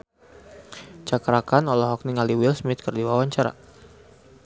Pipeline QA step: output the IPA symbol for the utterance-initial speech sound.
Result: t͡ʃ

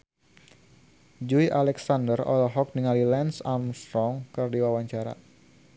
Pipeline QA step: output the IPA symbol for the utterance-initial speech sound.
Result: d͡ʒ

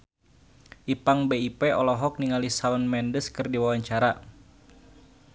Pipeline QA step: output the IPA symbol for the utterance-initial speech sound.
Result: ʔ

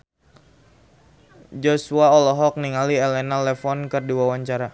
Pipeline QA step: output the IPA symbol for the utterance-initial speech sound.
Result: d͡ʒ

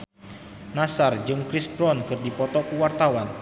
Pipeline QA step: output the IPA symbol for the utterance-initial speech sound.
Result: n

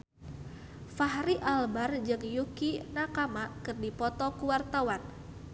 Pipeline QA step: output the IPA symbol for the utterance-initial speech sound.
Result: f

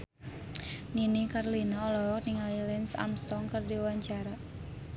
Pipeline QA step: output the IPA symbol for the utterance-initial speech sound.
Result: n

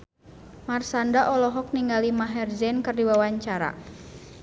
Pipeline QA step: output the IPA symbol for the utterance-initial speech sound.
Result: m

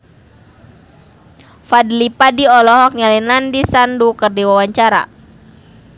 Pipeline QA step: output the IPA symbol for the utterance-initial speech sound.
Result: f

